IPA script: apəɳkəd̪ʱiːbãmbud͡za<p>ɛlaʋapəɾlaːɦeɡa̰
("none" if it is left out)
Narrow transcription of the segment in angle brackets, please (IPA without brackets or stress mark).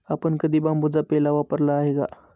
p